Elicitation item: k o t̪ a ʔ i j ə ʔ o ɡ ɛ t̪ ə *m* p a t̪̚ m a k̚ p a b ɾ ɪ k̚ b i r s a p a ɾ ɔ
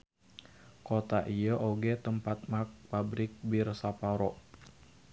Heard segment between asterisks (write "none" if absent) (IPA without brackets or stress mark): m